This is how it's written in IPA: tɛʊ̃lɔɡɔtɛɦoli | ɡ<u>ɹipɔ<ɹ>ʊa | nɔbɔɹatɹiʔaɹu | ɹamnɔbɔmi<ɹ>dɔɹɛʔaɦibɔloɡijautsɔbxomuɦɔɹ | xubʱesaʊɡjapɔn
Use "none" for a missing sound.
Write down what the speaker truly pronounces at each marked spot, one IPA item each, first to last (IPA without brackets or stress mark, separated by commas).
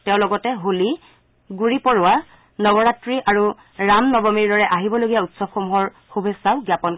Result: u, ɹ, ɹ